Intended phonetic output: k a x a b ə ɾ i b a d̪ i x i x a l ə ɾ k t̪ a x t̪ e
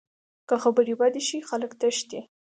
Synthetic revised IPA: k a x a b ə ɾ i b a d̪ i ʃ i x a l ə k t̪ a ʃ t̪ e